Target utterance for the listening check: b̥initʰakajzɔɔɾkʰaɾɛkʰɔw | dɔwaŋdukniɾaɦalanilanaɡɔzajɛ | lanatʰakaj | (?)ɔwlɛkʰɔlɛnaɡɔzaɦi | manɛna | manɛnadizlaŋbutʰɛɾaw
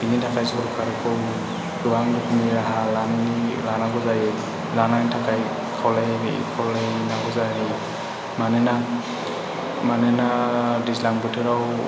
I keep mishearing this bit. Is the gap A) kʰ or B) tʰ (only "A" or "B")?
A